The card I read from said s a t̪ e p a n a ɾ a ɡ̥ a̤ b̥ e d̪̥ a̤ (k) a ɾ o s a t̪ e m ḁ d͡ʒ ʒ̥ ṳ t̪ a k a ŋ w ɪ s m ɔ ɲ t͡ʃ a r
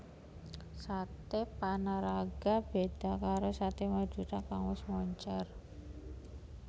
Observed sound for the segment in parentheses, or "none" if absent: k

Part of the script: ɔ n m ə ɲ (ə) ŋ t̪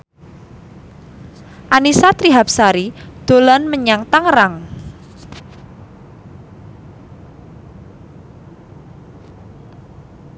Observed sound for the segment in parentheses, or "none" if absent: a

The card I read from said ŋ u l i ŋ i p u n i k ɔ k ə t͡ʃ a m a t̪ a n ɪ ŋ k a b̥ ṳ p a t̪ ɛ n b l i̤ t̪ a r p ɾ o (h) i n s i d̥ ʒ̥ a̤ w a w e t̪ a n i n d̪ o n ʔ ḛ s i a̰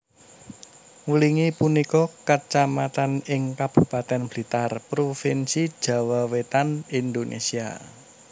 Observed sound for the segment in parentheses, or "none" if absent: f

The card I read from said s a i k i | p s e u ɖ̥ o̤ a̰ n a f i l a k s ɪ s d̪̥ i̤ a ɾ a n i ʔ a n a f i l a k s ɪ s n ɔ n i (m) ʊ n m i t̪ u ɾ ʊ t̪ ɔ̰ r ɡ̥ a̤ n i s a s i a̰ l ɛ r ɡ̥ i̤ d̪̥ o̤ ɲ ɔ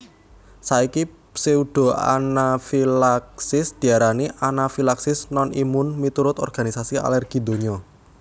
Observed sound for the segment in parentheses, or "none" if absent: m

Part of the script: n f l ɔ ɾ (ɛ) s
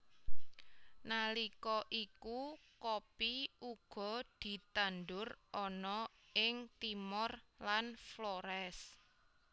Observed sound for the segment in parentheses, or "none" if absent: ɛ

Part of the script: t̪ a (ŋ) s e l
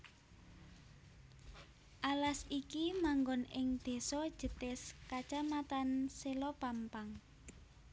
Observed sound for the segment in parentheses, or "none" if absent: n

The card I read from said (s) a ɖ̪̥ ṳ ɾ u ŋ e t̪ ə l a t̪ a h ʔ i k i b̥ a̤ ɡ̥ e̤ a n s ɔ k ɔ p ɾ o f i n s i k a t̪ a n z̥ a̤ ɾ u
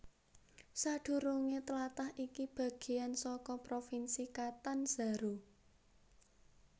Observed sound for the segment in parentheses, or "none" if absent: s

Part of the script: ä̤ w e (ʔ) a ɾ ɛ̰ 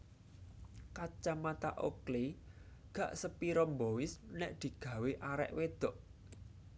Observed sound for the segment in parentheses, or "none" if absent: ʔ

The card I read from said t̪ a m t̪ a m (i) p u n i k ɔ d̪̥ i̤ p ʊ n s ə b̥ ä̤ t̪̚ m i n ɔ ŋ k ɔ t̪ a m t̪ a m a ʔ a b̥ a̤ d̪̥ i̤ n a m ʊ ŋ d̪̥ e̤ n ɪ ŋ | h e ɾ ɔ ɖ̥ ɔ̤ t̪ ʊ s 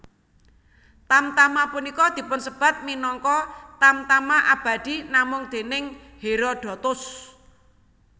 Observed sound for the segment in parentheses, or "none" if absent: a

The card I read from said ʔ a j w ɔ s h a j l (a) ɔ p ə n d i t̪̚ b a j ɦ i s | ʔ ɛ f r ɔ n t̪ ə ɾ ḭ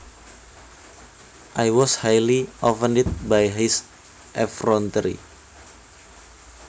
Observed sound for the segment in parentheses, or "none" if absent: i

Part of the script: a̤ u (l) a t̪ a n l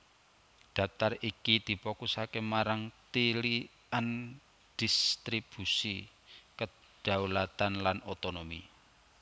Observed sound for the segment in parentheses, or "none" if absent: l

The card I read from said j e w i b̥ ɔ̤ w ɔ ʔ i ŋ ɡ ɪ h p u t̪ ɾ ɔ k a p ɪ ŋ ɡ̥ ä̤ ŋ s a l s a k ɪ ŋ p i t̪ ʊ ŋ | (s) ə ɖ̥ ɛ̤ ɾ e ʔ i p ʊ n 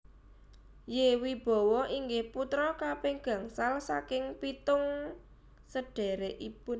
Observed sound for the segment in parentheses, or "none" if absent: s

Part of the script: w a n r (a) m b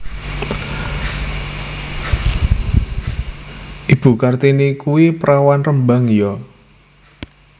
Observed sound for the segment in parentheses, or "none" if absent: ə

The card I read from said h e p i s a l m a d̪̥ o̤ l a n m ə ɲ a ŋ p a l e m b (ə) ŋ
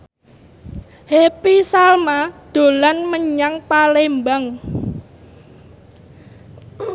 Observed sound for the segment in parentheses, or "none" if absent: a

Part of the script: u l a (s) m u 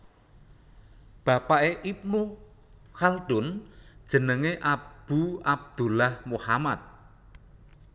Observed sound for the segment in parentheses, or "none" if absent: h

